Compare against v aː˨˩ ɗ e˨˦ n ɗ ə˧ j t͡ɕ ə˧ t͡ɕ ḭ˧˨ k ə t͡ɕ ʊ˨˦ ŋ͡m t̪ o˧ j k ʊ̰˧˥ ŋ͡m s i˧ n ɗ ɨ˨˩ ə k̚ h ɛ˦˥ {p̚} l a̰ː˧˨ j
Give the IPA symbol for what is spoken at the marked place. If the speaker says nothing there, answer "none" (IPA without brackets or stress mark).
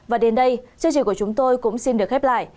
p̚